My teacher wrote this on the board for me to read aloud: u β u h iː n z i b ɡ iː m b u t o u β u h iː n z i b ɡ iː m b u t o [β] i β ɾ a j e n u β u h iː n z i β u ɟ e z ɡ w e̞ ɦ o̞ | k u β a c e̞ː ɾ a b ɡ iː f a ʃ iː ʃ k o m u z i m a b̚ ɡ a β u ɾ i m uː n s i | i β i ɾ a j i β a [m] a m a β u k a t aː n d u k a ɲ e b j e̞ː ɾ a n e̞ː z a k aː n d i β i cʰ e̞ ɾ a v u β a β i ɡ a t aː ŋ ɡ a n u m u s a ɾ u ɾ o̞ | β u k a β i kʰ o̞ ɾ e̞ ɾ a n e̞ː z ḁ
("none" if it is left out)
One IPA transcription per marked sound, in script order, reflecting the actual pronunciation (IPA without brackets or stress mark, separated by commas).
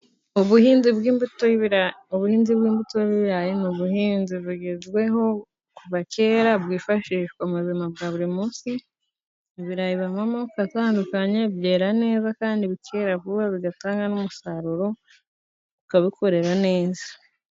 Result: β, m